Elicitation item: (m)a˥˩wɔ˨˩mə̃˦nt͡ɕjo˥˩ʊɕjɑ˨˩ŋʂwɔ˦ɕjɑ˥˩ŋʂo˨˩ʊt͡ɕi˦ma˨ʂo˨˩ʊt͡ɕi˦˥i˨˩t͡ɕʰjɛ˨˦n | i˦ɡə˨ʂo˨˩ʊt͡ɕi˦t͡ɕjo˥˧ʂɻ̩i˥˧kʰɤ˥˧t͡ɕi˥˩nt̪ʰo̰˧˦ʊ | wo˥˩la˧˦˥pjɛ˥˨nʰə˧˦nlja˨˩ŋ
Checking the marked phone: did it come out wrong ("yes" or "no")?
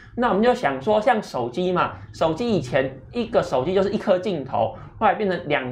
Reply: yes